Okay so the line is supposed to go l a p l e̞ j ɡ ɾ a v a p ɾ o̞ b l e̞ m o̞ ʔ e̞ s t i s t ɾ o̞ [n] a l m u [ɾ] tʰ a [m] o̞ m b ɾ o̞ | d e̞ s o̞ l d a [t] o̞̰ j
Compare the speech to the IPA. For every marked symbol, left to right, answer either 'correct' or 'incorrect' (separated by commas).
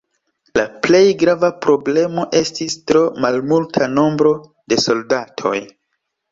incorrect, incorrect, incorrect, incorrect